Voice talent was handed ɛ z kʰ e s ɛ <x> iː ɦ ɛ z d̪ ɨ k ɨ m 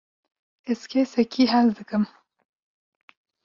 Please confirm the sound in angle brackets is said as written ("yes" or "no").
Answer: no